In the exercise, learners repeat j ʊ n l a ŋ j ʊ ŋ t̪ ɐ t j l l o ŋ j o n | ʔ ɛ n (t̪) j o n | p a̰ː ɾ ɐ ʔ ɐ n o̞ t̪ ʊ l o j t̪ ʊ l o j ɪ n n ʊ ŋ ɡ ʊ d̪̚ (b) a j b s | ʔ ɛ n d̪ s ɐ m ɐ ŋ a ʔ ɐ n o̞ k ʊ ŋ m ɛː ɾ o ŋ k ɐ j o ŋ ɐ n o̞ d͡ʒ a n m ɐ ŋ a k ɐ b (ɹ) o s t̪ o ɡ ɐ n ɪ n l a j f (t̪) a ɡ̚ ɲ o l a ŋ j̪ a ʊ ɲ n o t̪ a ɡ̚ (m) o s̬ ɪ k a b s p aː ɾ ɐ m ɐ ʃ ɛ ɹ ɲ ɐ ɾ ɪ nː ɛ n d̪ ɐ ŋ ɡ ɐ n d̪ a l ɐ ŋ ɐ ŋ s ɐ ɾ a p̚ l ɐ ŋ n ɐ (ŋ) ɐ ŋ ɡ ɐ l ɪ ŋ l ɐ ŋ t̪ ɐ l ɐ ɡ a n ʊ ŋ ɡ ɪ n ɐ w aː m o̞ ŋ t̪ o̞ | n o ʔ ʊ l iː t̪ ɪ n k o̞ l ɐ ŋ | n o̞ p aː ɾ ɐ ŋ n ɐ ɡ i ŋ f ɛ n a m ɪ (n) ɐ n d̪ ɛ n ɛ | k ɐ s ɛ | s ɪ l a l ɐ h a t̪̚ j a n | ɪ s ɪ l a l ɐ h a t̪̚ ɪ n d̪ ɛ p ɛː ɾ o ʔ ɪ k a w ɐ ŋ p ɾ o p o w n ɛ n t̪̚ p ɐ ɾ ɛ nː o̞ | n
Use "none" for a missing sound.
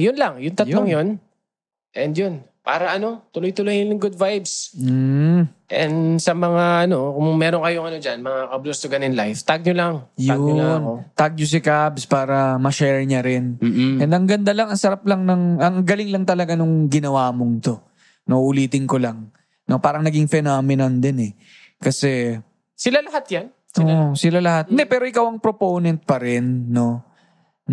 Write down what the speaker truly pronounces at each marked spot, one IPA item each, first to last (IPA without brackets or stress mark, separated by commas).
d̪, v, l, t̪, ɲ, ŋ, n